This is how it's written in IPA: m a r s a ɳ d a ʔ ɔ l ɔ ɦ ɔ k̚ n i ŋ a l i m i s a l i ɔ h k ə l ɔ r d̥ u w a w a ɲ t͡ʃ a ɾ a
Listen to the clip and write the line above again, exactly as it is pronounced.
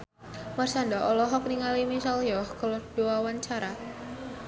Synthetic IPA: m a r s a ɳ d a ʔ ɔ l ɔ ɦ ɔ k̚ n i ŋ a l i m i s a l j ɔ h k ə l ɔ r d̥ u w a w a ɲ t͡ʃ a ɾ a